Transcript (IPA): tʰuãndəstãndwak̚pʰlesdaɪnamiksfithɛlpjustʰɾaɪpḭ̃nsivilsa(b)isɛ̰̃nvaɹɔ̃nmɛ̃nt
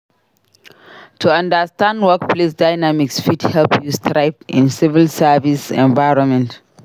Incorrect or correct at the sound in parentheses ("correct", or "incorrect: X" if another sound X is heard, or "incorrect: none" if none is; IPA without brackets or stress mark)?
incorrect: v